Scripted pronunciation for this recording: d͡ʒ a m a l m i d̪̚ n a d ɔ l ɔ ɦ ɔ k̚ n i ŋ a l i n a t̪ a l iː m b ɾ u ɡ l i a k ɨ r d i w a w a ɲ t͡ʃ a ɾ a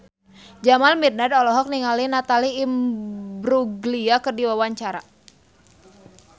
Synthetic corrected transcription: d͡ʒ a m a l m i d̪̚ n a d ɔ l ɔ ɦ ɔ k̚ n i ŋ a l i n a t̪ a l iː m b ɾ u ɡ l i a k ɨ r d i w a w a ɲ t͡ʃ a ɾ a

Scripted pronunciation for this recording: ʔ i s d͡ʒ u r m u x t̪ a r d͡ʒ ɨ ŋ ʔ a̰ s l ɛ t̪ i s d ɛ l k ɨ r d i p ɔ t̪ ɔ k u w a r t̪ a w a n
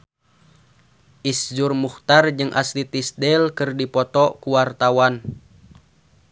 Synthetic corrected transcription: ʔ i s d͡ʒ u r m u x t̪ a r d͡ʒ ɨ ŋ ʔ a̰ s l i t̪ i s d ɛ l k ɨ r d i p ɔ t̪ ɔ k u w a r t̪ a w a n

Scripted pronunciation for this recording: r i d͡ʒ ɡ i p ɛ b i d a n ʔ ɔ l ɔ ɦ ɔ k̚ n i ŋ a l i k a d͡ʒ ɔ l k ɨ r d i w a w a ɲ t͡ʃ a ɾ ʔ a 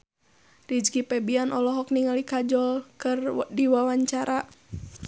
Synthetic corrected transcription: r i d͡ʒ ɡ i p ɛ b i a n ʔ ɔ l ɔ ɦ ɔ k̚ n i ŋ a l i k a d͡ʒ ɔ l k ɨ r d i w a w a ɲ t͡ʃ a ɾ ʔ a

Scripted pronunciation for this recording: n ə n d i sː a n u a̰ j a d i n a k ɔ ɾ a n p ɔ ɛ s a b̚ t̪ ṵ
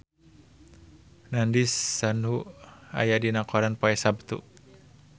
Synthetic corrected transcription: n a n d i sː a n u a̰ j a d i n a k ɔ ɾ a n p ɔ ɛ s a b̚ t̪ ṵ

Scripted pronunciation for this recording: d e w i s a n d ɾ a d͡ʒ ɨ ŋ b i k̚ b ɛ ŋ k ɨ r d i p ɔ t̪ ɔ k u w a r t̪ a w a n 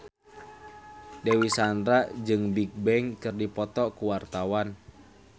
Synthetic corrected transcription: d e w i s a n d ɾ a d͡ʒ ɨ ŋ b i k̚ b ɛ ŋ k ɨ r d i p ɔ t̪ ɔ k u w a r t̪ a w a n

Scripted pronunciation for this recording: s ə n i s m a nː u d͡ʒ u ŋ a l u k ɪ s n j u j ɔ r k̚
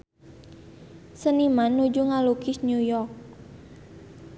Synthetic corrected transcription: s ə n i m a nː u d͡ʒ u ŋ a l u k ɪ s n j u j ɔ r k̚

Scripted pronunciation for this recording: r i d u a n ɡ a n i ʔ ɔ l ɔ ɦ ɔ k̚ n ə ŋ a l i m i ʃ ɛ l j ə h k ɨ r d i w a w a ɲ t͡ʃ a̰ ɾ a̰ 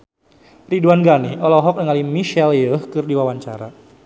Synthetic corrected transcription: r i d u a n ɡ a n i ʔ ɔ l ɔ ɦ ɔ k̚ n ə ŋ a l i m i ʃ ɛ l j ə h k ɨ r d i w a w a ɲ t͡ʃ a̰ ɾ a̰

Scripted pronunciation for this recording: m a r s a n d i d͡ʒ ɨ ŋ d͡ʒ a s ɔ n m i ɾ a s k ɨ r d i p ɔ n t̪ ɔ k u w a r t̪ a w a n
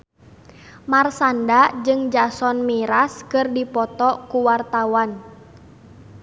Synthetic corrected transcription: m a r s a n d a d͡ʒ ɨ ŋ d͡ʒ a s ɔ n m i ɾ a s k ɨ r d i p ɔ t̪ ɔ k u w a r t̪ a w a n

